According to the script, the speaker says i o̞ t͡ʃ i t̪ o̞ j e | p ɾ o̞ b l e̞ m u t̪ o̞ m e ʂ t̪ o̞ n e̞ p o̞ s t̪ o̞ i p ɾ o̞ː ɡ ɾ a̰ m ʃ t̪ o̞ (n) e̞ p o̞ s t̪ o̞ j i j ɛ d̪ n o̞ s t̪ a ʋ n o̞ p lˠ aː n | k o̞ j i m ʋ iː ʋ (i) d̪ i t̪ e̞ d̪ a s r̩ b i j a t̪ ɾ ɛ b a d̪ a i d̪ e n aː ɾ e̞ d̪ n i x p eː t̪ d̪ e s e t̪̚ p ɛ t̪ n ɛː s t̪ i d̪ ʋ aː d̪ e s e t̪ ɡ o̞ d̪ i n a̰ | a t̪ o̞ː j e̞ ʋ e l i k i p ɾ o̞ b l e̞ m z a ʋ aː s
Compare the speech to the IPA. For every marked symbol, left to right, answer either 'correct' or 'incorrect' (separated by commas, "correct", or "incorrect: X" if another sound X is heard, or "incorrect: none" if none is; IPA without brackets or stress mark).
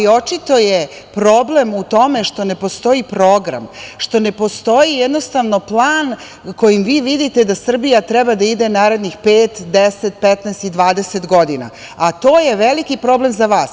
correct, correct